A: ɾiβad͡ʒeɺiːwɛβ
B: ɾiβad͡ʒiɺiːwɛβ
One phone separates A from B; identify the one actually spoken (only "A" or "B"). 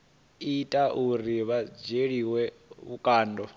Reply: A